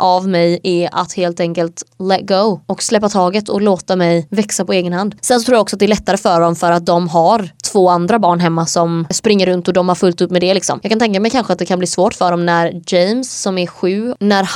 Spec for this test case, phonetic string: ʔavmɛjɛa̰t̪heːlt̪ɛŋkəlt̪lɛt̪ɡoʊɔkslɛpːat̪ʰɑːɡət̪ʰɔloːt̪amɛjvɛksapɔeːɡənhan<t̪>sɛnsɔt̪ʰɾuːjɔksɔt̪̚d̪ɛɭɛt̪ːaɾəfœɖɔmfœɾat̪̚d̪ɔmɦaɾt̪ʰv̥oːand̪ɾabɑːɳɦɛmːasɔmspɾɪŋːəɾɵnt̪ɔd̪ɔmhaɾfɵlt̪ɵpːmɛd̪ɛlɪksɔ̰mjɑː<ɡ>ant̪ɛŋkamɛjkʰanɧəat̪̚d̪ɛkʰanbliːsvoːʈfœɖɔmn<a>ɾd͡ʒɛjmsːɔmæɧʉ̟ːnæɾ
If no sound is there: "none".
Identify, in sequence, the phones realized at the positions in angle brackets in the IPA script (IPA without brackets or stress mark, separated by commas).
d̪, k, æ